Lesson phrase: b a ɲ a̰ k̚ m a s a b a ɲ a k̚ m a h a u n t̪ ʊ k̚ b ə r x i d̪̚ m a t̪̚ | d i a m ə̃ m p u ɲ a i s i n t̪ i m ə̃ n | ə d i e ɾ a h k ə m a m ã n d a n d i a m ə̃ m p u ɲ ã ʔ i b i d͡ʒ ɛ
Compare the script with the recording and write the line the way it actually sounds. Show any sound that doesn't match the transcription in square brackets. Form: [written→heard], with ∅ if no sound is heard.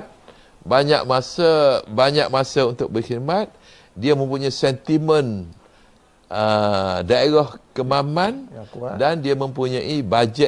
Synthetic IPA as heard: b a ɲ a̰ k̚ m a s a b a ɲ a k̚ m a [h→s] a u n t̪ ʊ k̚ b ə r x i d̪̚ m a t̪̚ | d i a m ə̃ m p u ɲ a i s [i→ɛ] n t̪ i m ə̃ n | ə d [i→a] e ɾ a h k ə m a m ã n d a n d i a m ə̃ m p u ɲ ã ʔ i b [i→a] d͡ʒ ɛ